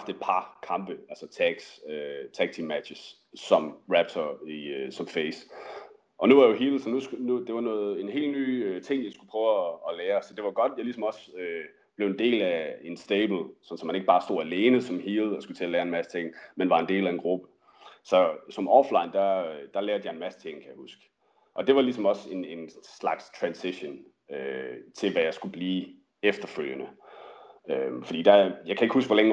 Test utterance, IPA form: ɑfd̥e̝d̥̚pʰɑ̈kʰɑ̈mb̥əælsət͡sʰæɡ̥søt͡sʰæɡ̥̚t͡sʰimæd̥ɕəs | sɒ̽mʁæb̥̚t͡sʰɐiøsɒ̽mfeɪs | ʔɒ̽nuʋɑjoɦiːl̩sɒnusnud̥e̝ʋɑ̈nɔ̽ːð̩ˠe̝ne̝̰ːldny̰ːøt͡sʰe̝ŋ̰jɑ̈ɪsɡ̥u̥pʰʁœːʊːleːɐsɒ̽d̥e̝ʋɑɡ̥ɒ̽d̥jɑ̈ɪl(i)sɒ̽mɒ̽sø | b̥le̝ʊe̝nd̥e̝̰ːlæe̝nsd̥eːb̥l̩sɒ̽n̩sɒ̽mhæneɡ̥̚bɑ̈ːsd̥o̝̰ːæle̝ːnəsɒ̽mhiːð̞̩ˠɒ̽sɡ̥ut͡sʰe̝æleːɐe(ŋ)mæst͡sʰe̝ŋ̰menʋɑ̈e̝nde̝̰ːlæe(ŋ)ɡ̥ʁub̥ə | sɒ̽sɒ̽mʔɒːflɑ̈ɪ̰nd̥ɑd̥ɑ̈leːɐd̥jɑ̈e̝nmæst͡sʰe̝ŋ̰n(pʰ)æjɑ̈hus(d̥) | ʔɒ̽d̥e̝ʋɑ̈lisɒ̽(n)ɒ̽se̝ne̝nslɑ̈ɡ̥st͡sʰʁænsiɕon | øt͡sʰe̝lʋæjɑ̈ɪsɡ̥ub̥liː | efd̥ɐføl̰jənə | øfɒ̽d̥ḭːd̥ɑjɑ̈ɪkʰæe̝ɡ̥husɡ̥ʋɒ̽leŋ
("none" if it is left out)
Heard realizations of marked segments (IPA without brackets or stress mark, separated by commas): i, n, n, kʰ, ɡ̥, m